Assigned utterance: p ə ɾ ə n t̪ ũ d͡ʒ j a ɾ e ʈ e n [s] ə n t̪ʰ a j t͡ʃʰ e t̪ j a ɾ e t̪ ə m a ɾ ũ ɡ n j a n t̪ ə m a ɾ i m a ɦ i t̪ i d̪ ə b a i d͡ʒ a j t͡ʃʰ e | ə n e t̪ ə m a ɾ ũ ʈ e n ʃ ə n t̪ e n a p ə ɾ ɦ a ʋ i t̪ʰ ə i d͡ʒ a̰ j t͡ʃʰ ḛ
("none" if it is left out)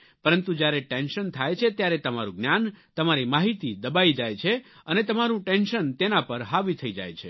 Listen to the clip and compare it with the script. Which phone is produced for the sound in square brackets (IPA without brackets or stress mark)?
ʃ